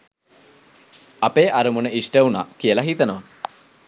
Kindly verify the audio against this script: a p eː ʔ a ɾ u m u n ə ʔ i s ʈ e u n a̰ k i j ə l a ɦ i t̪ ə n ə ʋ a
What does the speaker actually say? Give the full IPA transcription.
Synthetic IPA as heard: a p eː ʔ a ɾ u m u n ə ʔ i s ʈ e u n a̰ k i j ə l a ɦ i t̪ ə n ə ʋ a